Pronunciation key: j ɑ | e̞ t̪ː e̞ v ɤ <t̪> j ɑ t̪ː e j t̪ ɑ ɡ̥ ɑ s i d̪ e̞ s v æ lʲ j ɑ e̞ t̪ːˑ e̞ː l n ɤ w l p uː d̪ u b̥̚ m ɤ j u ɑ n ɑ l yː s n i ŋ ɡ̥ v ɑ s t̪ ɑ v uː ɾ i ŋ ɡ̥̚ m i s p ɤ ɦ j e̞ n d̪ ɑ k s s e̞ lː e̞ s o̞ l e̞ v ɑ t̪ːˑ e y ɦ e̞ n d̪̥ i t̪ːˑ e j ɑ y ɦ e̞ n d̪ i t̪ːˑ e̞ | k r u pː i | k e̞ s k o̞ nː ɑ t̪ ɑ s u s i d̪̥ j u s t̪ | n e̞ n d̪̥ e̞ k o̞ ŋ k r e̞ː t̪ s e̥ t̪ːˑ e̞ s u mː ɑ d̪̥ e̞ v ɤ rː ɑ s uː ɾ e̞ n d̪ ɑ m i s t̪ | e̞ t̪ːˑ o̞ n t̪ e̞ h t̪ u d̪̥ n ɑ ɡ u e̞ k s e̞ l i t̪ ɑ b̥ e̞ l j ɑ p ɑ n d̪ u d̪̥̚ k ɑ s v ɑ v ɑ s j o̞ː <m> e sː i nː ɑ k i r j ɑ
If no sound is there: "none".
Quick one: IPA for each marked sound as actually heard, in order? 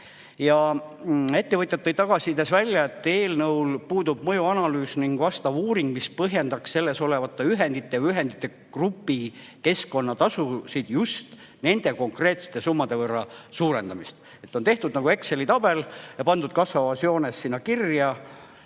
t̪, n

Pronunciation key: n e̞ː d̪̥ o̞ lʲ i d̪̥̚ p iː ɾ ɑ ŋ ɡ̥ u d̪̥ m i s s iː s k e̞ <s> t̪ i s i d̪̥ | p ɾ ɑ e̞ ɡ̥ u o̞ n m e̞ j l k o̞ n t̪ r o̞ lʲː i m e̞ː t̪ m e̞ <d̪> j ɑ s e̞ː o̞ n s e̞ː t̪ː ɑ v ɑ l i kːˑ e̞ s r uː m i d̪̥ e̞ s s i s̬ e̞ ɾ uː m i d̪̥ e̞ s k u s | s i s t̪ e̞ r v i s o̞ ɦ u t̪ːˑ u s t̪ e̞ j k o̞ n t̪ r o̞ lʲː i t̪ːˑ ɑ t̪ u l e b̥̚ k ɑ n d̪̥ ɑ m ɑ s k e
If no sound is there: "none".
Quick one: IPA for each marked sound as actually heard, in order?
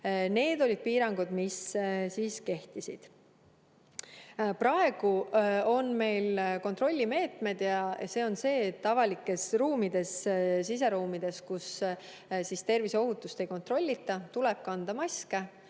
h, d̪

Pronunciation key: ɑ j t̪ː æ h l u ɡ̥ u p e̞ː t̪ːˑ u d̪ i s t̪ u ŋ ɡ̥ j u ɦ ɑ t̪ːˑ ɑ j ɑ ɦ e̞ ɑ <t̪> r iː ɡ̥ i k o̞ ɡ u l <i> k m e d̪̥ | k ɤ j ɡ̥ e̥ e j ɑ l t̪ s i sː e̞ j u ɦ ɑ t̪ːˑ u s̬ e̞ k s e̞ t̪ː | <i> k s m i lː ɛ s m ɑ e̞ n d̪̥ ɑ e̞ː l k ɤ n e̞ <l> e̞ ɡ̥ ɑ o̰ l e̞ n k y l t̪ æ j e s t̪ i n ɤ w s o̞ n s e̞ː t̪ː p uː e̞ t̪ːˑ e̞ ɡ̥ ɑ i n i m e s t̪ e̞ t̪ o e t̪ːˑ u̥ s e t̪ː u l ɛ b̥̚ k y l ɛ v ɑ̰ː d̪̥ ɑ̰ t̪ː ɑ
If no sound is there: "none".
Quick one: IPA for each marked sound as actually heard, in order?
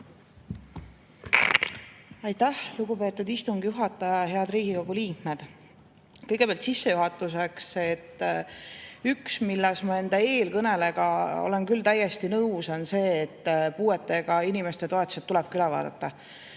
d̪, iː, y, l

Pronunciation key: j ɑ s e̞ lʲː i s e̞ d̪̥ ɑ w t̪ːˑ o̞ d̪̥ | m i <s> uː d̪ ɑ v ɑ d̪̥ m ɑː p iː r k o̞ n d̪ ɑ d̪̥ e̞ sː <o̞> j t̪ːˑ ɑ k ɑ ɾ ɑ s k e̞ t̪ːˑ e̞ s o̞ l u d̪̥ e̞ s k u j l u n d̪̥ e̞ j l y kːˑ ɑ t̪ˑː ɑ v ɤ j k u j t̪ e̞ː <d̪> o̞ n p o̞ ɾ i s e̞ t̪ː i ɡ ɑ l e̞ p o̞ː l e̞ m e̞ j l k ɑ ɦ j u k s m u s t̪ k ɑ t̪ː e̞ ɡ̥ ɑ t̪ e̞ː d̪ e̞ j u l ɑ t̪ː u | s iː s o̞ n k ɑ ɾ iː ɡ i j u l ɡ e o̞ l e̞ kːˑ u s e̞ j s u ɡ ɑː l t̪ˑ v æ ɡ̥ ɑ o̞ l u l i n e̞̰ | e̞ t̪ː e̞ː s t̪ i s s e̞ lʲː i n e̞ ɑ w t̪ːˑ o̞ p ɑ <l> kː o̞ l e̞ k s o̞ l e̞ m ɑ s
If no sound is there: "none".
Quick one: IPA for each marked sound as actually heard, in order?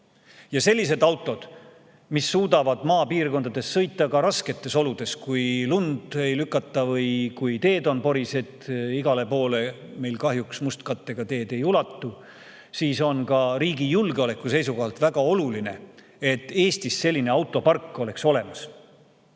sː, ɤ̞, d̪, r

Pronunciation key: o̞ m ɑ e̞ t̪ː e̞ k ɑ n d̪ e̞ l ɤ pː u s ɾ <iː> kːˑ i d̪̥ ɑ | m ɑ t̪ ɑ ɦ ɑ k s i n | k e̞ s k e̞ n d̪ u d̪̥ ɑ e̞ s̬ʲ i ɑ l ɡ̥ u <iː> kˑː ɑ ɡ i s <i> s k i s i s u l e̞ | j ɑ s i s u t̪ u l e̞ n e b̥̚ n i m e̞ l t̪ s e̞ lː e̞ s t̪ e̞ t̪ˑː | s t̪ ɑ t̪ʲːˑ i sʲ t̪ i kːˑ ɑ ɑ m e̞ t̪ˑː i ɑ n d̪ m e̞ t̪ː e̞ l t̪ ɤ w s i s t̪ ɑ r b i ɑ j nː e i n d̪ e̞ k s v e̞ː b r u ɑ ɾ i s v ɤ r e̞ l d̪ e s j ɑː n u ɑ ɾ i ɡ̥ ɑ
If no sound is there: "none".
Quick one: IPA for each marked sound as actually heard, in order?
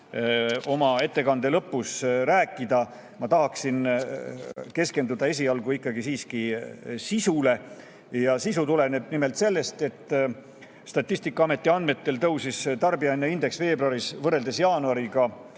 æː, i, iː

